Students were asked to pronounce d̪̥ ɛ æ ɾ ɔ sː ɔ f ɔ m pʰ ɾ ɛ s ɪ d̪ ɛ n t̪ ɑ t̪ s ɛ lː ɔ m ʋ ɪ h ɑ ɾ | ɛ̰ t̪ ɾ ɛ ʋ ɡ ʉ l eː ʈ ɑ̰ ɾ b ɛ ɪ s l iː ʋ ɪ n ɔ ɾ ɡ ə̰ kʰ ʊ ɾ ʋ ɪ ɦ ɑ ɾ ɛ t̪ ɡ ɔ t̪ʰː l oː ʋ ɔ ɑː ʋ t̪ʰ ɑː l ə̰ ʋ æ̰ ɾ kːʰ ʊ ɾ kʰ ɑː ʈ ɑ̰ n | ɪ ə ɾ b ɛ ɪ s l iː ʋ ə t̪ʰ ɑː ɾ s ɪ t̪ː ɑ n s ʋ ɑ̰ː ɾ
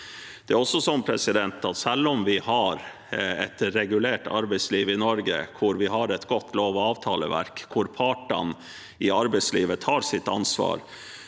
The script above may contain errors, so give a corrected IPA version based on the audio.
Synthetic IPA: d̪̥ ɛ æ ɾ ɔ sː ɔ s ɔ m pʰ ɾ ɛ s ɪ d̪ ɛ n t̪ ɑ t̪ s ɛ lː ɔ m ʋ ɪ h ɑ ɾ | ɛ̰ t̪ ɾ ɛ ɡ ʉ l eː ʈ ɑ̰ ɾ b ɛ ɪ s l iː ʋ ɪ n ɔ ɾ ɡ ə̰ kʰ ʊ ɾ ʋ ɪ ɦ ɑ ɾ ɛ t̪ ɡ ɔ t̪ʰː l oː ʋ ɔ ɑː ʋ t̪ʰ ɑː l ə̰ ʋ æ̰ ɾ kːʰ ʊ ɾ pʰ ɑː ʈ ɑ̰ n | ɪ ɑ ɾ b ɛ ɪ s l iː ʋ ə t̪ʰ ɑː ɾ s ɪ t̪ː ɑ n s ʋ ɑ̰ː ɾ